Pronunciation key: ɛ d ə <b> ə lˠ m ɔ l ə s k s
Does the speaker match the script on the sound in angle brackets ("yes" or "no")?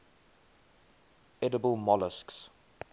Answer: yes